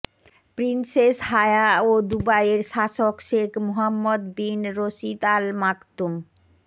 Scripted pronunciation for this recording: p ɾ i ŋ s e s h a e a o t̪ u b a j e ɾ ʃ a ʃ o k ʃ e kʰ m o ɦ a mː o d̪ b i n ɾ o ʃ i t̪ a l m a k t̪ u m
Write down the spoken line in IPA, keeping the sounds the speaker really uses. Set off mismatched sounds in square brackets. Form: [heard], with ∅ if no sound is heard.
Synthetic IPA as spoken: p ɾ i [n] s e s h a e a o [d̪] u b a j e ɾ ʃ a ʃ o k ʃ e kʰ m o ɦ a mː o d̪ b i n ɾ o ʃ i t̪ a l m a k t̪ u m